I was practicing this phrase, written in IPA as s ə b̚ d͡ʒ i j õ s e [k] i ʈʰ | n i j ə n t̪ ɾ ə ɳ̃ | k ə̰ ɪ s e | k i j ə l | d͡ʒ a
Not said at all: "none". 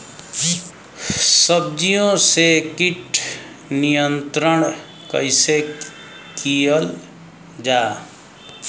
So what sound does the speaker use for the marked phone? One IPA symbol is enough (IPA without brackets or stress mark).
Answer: k